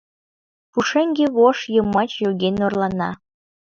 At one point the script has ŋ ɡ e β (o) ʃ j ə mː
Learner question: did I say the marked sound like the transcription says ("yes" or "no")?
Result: yes